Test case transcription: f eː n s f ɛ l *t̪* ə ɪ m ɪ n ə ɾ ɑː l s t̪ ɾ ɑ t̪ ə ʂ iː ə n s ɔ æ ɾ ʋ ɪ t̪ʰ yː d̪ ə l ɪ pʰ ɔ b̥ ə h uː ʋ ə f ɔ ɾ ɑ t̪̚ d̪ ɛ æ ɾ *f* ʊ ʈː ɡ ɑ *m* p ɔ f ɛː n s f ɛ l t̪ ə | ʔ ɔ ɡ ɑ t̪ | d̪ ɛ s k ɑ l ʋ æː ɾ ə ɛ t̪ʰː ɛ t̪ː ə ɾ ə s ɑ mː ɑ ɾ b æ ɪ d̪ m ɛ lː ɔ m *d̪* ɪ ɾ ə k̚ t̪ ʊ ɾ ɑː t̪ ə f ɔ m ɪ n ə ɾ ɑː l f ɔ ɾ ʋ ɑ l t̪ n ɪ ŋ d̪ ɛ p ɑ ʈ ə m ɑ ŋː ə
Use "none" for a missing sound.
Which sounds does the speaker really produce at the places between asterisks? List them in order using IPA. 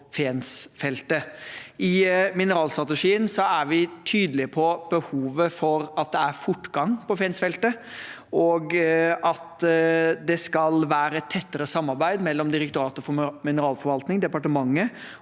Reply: t̪, f, ŋ, d̪

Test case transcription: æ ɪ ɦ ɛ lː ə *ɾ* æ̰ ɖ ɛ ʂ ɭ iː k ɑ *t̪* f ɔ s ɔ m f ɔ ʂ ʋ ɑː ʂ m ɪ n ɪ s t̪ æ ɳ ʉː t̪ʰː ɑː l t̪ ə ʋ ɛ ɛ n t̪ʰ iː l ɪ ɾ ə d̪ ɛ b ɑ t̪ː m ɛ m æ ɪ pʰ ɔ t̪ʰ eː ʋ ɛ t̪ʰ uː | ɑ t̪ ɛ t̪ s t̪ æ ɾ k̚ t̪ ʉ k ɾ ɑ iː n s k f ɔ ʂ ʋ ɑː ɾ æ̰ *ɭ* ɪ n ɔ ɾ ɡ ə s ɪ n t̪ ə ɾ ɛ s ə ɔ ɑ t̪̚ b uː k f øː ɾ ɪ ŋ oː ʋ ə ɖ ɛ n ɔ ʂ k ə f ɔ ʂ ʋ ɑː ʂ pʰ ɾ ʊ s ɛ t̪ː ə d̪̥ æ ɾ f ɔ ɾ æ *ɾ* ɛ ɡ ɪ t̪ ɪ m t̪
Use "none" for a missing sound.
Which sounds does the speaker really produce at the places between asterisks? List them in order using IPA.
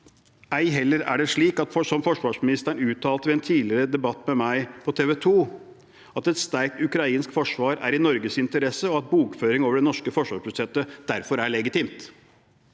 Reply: ɾ, t̪, ɾ, ɭ

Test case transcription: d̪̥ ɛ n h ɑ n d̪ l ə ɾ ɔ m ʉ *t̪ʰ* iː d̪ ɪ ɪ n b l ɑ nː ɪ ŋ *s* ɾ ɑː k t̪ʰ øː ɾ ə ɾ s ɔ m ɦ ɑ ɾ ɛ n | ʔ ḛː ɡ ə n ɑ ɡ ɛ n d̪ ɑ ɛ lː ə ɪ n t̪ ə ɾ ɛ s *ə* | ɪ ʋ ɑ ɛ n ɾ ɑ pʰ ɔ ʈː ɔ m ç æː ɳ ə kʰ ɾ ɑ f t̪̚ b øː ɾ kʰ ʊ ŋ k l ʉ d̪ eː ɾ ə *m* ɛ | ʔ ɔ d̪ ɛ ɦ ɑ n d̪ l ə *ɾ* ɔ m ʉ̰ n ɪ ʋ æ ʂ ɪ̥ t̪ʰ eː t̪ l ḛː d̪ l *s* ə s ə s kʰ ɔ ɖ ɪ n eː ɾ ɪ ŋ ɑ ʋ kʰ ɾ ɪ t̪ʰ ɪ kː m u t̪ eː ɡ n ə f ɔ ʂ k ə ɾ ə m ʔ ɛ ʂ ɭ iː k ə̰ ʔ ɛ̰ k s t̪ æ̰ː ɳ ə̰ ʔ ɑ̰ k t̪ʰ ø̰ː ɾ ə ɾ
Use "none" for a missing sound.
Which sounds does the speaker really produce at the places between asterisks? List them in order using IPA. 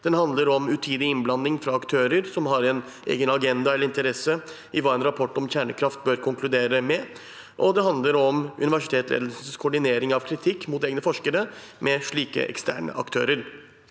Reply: t̪ʰ, f, ə, m, ɾ, s

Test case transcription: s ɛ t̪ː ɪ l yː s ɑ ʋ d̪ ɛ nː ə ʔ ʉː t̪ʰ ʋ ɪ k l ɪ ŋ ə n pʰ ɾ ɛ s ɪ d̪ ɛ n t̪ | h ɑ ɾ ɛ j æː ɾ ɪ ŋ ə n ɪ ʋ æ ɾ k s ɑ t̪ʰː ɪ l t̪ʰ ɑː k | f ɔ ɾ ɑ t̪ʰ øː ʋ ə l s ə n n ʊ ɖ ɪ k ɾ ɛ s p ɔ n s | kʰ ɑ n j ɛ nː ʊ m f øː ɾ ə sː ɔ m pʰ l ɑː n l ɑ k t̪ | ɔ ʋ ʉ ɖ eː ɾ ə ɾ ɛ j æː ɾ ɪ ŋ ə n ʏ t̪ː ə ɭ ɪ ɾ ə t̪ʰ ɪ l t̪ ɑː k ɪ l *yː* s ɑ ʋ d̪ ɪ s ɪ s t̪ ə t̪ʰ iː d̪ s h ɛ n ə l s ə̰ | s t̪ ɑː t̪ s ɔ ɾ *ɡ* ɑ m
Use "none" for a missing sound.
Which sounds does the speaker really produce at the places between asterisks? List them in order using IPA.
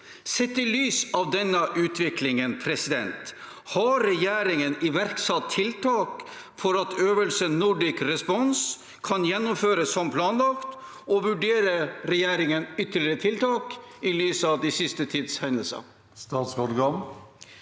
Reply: yː, ɡ

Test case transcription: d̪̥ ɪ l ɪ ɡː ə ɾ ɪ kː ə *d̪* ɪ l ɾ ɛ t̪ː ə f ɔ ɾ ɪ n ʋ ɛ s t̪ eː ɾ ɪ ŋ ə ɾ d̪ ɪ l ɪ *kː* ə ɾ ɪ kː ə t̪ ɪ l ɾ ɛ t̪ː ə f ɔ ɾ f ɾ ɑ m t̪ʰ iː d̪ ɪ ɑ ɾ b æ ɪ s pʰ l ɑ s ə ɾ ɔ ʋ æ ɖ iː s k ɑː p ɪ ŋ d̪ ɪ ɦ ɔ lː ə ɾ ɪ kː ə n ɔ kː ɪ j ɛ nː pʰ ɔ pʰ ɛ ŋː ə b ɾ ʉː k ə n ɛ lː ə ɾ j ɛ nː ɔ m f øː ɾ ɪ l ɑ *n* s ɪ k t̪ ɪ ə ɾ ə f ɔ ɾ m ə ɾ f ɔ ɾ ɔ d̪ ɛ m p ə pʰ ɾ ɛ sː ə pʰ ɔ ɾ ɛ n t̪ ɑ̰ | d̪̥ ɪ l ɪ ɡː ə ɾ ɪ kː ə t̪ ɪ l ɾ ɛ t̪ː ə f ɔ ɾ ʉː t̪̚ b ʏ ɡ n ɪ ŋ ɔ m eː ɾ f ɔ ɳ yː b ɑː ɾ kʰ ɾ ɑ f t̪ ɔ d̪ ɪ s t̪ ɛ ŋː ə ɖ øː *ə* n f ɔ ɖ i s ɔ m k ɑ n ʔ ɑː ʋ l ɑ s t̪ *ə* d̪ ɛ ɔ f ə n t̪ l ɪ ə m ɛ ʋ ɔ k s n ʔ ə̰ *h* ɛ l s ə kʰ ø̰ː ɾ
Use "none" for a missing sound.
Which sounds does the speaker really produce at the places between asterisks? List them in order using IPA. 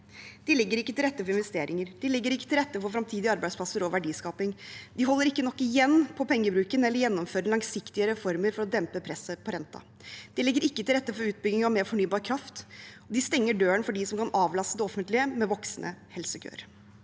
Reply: t̪, ɡː, ŋ, ə, ə, h

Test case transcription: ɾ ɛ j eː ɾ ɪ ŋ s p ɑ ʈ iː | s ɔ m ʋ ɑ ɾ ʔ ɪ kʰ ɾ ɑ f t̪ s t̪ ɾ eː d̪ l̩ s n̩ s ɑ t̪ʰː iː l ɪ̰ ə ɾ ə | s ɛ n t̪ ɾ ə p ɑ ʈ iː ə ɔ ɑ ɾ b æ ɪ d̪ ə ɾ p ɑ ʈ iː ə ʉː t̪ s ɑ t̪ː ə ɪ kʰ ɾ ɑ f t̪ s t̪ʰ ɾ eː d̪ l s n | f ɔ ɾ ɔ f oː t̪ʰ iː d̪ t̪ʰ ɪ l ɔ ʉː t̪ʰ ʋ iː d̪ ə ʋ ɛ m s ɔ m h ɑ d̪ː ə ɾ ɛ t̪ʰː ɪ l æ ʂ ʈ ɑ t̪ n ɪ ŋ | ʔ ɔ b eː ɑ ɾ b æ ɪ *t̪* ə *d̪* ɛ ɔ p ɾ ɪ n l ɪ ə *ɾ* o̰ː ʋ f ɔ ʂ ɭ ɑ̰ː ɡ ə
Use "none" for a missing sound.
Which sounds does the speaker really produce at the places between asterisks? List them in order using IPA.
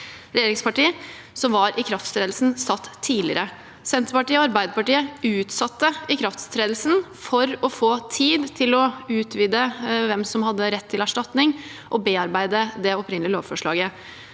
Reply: d̪, d̪, l

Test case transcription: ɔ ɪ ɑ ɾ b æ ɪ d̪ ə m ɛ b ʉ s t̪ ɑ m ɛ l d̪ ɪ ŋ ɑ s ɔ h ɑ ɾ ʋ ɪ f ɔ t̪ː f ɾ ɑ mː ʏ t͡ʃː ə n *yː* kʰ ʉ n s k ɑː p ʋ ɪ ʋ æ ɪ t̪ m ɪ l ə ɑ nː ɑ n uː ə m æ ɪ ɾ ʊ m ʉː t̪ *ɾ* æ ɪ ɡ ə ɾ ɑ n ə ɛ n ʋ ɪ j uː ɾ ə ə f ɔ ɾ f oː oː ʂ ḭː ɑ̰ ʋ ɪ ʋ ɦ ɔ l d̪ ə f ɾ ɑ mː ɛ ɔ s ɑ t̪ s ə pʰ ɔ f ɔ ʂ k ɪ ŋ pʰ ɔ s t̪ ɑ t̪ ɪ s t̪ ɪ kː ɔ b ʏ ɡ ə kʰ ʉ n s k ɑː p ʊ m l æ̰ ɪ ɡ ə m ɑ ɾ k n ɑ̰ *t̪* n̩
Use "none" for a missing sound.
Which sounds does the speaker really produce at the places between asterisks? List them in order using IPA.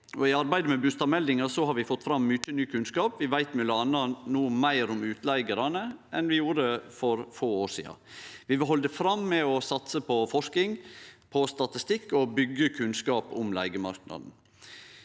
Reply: yː, l, d̪

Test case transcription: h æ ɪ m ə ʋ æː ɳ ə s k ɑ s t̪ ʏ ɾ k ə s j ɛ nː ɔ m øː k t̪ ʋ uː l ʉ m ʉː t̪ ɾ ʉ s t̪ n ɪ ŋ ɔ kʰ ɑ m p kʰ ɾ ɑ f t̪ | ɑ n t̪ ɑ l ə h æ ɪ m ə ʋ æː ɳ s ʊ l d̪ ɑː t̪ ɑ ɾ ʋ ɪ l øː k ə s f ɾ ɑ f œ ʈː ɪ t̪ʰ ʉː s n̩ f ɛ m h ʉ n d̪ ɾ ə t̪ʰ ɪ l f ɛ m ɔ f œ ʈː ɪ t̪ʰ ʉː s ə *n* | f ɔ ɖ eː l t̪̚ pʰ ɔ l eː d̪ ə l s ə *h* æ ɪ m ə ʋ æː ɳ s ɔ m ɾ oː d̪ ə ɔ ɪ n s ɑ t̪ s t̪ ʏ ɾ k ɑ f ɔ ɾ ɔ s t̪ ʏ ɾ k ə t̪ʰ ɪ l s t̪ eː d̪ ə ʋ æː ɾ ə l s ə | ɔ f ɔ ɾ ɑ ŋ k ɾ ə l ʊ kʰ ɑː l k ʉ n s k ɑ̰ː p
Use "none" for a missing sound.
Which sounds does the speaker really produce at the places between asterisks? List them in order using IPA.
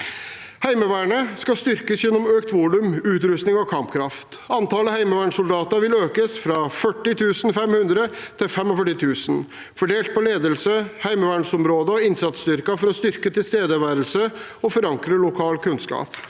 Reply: n, h

